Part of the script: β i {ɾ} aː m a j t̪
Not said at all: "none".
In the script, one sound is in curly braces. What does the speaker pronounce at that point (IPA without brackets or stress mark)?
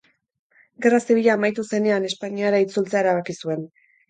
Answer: ʎ